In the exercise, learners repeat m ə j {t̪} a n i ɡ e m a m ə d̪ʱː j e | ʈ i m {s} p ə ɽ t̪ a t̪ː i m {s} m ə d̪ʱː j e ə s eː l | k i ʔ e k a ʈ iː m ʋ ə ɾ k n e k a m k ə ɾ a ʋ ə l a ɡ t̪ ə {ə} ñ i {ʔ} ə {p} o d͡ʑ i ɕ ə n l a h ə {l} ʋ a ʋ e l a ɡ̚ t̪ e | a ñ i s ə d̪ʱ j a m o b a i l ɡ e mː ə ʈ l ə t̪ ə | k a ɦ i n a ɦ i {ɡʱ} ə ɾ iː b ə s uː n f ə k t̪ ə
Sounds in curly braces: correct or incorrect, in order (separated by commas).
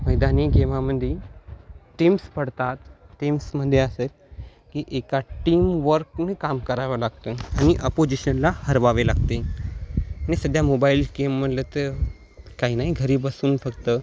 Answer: incorrect, correct, correct, incorrect, correct, correct, incorrect, correct